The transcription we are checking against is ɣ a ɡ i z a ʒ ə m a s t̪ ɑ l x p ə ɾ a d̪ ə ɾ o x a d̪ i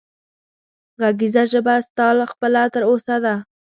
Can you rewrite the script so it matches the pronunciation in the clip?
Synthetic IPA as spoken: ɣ a ɡ i z a ʒ ə b a s t̪ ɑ l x p ə l a t̪ ə ɾ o s a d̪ a